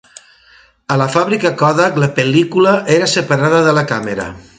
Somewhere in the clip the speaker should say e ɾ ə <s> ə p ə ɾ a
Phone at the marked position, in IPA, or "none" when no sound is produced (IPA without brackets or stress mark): s